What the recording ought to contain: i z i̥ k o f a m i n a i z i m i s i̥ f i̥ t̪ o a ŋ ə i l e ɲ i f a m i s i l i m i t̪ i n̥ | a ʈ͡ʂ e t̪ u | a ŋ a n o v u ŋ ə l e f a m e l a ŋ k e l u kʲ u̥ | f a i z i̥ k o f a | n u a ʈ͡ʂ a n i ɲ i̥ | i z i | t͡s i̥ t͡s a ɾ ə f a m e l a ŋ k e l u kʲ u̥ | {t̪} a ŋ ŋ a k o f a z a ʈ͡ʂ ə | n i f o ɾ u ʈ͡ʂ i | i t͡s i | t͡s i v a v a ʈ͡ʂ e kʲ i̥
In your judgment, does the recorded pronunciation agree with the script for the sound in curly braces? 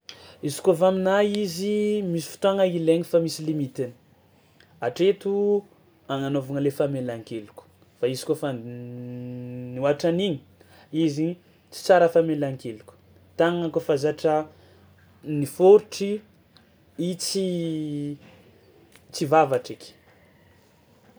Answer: yes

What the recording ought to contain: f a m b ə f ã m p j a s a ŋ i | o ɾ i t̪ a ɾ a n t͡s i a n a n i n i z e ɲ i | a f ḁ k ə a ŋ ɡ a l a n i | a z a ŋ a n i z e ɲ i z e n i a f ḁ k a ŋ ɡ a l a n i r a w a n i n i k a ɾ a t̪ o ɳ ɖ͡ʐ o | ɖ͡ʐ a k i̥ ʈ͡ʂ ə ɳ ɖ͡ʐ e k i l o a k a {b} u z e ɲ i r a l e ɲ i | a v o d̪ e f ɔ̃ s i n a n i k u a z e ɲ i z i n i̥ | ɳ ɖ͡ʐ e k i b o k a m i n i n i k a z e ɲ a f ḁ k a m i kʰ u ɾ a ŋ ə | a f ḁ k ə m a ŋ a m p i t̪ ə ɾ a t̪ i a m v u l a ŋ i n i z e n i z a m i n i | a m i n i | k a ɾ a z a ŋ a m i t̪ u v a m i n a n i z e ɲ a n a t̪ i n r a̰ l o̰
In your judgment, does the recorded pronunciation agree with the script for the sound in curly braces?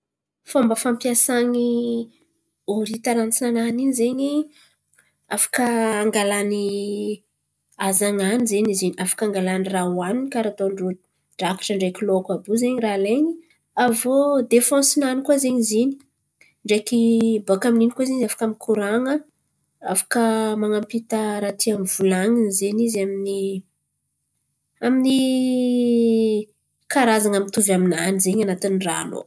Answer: yes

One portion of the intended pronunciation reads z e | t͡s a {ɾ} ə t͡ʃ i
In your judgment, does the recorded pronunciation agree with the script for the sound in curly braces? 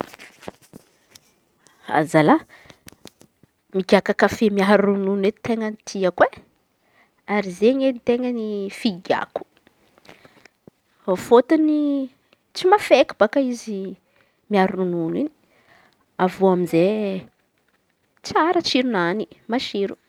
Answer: yes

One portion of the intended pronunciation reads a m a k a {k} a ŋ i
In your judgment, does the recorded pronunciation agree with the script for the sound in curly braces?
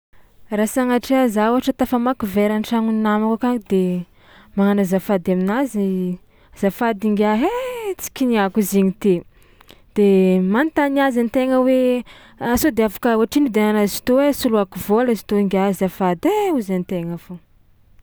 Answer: yes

